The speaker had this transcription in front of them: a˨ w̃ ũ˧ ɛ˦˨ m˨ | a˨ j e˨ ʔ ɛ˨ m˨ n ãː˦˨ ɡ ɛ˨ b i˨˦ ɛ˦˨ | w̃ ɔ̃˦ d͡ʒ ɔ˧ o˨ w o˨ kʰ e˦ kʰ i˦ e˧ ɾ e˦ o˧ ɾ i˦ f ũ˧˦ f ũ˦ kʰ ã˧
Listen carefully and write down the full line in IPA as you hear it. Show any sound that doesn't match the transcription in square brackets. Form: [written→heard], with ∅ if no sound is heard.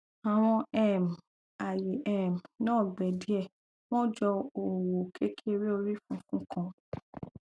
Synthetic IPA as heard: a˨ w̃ [ũ˧→ɔ̃˧] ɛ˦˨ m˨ | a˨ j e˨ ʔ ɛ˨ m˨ n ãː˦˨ [ɡ→ɡ͡b] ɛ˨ [b→d] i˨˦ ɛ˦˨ | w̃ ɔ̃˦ d͡ʒ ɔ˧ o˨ w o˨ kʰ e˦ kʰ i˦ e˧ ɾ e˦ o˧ ɾ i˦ f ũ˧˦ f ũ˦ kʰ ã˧